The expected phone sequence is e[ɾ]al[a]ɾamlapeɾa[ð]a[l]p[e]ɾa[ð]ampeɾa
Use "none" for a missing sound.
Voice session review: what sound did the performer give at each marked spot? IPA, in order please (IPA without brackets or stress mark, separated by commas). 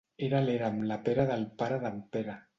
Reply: ɾ, e, ð, l, a, ð